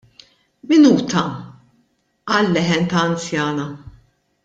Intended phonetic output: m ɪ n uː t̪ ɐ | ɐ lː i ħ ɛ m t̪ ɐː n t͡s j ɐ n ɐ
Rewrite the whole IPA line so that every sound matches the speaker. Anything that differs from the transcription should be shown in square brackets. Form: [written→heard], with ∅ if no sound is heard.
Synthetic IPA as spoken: m ɪ n uː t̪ ɐ | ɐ lː [i→ɛ] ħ ɛ [m→n] t̪ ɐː n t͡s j [ɐ→ɐː] n ɐ

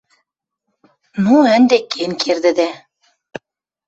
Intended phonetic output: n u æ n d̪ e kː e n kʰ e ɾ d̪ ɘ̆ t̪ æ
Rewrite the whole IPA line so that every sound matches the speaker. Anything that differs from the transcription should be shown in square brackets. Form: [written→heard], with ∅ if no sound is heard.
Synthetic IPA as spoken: n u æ n d̪ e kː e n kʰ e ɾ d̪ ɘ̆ [t̪→d̪] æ

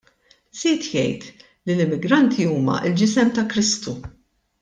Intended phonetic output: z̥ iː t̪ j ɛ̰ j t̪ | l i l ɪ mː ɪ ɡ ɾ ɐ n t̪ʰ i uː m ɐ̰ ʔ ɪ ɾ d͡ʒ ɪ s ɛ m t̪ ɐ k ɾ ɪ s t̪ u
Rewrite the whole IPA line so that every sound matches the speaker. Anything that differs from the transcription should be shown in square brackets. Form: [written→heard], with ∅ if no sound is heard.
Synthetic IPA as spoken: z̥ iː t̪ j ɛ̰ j t̪ | l i l ɪ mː ɪ ɡ ɾ ɐ n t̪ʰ i uː m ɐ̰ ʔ ɪ [ɾ→l] d͡ʒ ɪ s ɛ m t̪ ɐ k ɾ ɪ s t̪ u

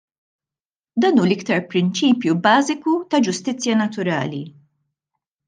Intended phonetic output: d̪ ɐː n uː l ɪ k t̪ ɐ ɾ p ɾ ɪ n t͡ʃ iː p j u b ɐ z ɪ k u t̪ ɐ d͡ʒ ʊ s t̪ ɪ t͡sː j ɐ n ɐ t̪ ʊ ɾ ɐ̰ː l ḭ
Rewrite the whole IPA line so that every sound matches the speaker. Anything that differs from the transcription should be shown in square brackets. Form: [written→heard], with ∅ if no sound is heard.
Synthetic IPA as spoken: d̪ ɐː n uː l ɪ k t̪ ɐ ɾ p ɾ ɪ n t͡ʃ iː p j u b [ɐ→ɐː] z ɪ k u t̪ ɐ d͡ʒ ʊ s t̪ ɪ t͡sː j ɐ n ɐ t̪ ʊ ɾ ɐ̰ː l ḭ

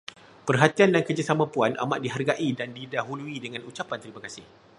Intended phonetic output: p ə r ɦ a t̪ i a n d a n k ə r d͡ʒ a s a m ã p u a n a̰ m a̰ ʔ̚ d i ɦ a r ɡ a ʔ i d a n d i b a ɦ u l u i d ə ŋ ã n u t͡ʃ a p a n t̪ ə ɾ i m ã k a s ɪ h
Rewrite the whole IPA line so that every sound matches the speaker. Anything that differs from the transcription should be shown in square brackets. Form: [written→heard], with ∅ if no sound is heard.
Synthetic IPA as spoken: p ə r ɦ a t̪ i a n d a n k ə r d͡ʒ a s a m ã p u a n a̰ m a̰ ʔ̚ d i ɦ a r ɡ a ʔ i d a n d i [b→d] a ɦ u l u i d ə ŋ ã n u t͡ʃ a p a n t̪ ə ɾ i m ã k a s ɪ h

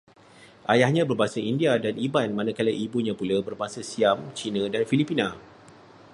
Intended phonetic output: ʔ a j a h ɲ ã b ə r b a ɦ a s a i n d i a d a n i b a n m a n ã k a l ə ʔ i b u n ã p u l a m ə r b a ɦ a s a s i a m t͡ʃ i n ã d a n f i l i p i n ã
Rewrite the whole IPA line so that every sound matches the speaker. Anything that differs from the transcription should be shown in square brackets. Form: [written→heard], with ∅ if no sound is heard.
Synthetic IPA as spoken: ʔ a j a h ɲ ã b ə r b a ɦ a s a i n d i a d a n i b a n m a n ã k a l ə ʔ i b u [n→ɲ] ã p u l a [m→b] ə r b a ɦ a s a s i a m t͡ʃ i n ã d a n f i l i p i n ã

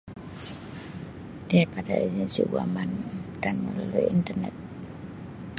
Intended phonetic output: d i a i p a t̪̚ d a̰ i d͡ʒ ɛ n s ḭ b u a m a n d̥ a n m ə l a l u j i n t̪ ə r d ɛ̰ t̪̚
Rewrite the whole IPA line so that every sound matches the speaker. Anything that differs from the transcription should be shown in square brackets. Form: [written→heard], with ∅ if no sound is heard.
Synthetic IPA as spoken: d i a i p a [t̪̚→∅] d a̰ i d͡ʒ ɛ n s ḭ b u a m a n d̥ a n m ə l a l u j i n t̪ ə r [d→n] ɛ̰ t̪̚

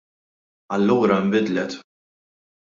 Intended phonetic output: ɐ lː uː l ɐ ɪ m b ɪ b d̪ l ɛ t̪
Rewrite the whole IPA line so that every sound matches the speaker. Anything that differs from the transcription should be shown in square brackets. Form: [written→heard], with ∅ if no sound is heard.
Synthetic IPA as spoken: ɐ lː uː [l→ɾ] ɐ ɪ m b ɪ [b→∅] d̪ l ɛ t̪

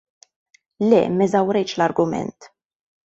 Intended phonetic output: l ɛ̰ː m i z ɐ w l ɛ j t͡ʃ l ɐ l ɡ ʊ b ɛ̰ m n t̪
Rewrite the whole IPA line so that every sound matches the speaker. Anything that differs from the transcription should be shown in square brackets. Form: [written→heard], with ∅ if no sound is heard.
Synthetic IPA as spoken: l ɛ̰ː m [i→ɛ] z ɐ w [l→ɾ] ɛ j t͡ʃ l ɐ [l→ɾ] ɡ ʊ [b→m] ɛ̰ [m→∅] n t̪

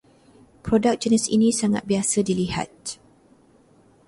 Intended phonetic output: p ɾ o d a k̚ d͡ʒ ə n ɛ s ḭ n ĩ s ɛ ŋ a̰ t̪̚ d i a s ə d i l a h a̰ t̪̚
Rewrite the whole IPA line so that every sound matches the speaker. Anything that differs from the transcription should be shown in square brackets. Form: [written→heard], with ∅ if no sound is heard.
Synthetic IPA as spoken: p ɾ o d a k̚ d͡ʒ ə n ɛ s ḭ n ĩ s [ɛ→a] ŋ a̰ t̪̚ [d→b] i a s ə d i l [a→i] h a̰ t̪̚

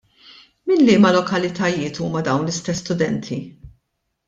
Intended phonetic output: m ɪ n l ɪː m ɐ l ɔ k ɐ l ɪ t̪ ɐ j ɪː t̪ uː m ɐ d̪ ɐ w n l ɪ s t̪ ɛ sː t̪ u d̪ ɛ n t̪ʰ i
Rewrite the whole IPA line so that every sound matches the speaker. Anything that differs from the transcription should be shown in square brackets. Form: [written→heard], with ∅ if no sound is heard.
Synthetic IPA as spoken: m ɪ n l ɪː m ɐ l ɔ k ɐ l ɪ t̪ ɐ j ɪː t̪ uː m ɐ d̪ ɐ w n l ɪ s t̪ ɛ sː t̪ [u→ʊ] d̪ ɛ n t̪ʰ i

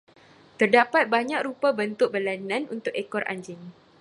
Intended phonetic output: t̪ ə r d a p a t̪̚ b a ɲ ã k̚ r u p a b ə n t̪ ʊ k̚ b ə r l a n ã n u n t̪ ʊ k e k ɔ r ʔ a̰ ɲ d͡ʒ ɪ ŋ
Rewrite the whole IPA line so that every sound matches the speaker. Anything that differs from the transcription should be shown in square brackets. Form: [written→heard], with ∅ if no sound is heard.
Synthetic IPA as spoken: t̪ ə r d a p a t̪̚ b a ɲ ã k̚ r u p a b ə n t̪ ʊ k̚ b ə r l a n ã n u n t̪ ʊ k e k ɔ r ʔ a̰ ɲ d͡ʒ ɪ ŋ

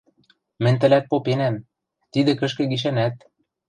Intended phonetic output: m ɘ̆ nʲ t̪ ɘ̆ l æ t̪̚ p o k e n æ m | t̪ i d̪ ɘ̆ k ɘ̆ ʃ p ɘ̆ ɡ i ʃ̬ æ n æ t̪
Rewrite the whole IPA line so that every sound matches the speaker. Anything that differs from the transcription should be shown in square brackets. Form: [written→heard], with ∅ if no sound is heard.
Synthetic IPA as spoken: m ɘ̆ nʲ t̪ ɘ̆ l æ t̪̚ p o [k→p] e n æ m | t̪ i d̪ ɘ̆ k ɘ̆ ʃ [p→k] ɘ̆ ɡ i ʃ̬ æ n æ t̪

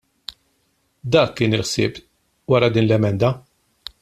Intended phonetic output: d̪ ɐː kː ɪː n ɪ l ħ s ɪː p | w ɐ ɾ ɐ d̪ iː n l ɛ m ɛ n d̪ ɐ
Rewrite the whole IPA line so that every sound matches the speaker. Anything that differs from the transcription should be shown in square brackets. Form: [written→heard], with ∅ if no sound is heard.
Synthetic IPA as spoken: d̪ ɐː kː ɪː n ɪ l ħ s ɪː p | w ɐ ɾ ɐ d̪ iː n l ɛ m ɛ n d̪ ɐ

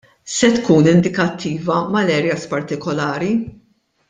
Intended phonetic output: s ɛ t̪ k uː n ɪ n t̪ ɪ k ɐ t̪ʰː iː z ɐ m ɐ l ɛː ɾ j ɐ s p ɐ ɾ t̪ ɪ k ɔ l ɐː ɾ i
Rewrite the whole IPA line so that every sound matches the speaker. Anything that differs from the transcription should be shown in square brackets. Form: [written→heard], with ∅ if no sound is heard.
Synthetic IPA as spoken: s ɛ t̪ k uː n ɪ n [t̪→d̪] ɪ k ɐ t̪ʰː iː [z→v] ɐ m ɐ l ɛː ɾ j ɐ s p ɐ ɾ t̪ ɪ k ɔ l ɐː ɾ i

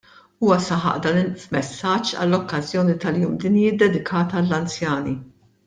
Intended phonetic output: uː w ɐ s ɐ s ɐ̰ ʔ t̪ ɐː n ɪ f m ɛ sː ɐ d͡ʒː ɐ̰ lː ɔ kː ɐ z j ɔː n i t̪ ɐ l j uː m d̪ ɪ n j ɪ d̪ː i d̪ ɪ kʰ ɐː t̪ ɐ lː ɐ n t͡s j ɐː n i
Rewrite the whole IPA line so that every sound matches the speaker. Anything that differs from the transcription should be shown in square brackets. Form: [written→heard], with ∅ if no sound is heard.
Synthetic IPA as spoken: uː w ɐ s ɐ [s→ħ] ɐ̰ ʔ [t̪→d̪] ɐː n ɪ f m ɛ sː ɐ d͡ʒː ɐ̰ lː ɔ kː ɐ z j ɔː n i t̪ ɐ l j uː m d̪ ɪ n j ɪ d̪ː [i→ɛ] d̪ ɪ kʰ ɐː t̪ ɐ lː ɐ n t͡s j ɐː n i

